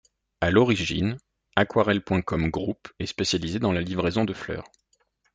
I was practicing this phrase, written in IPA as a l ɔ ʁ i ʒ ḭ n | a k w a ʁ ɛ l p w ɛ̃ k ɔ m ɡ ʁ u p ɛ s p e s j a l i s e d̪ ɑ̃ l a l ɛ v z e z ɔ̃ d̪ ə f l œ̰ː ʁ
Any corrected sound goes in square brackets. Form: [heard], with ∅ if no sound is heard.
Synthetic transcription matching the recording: a l ɔ ʁ i ʒ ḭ n | a k w a ʁ ɛ l p w ɛ̃ k ɔ m ɡ ʁ u p ɛ s p e s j a l i [z] e d̪ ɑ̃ l a l [i] v [ʁ] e z ɔ̃ d̪ ə f l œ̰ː ʁ